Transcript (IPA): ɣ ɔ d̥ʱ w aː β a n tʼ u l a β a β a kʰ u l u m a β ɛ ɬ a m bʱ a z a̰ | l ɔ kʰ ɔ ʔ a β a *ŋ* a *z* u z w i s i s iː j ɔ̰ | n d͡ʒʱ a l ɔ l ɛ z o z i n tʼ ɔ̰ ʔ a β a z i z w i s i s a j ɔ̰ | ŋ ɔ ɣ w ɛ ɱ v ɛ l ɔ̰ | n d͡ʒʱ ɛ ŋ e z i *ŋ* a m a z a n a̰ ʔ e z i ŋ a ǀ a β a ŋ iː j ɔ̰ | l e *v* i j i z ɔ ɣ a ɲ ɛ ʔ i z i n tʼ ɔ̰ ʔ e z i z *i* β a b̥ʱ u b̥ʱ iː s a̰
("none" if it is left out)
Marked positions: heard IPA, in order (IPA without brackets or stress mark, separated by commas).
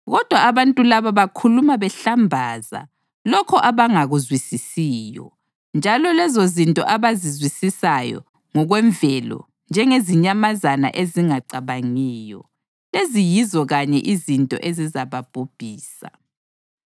ŋ, ɣ, ɲ, z, a